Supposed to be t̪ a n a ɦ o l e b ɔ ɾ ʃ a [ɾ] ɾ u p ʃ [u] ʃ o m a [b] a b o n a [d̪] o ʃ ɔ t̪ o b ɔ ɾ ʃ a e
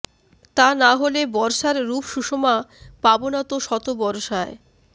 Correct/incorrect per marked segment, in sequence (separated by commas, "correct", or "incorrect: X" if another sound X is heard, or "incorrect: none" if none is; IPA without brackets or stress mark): correct, correct, incorrect: p, incorrect: t̪